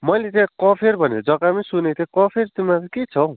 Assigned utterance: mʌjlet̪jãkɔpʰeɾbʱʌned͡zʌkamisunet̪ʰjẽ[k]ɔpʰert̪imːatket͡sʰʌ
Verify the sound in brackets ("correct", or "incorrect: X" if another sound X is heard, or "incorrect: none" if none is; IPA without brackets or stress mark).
correct